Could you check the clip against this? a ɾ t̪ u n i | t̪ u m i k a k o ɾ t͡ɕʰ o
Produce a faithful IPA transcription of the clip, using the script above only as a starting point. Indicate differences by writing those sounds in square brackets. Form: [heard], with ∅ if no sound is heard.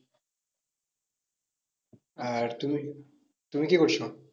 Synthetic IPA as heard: a ɾ t̪ u [m] i | t̪ u m i k [i] k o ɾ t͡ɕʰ o